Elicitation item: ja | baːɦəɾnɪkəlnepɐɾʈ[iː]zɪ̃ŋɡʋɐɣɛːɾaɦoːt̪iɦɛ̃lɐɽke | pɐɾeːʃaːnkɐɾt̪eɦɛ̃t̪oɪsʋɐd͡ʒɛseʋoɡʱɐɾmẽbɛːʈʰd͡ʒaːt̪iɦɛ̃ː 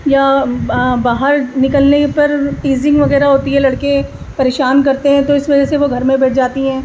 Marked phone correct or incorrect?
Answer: correct